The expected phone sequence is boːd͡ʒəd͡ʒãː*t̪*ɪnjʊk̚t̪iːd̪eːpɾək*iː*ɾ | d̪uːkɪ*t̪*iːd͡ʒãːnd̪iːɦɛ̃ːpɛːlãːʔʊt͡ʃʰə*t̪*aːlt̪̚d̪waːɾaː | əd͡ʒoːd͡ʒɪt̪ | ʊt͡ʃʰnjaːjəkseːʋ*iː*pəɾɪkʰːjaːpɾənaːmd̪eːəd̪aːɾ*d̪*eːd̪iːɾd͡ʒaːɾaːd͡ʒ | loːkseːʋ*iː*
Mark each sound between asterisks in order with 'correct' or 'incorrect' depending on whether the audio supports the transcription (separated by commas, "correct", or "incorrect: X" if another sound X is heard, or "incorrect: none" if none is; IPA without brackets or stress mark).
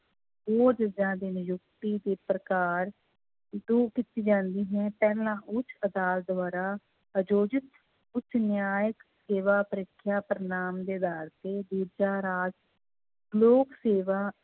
incorrect: d̪, incorrect: aː, correct, incorrect: d̪, incorrect: aː, incorrect: t̪, incorrect: aː